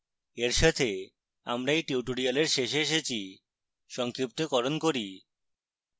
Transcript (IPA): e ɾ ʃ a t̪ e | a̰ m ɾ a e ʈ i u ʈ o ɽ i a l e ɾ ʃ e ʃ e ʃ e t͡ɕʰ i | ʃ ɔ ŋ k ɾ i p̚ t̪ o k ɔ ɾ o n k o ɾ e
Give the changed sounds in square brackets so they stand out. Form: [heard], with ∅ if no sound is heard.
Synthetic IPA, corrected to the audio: e ɾ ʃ a [t̪ʰ] e | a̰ m ɾ a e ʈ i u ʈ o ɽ i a l e ɾ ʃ e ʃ e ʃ e t͡ɕʰ i | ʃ ɔ ŋ k ɾ i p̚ t̪ o k ɔ ɾ o n k o ɾ [i]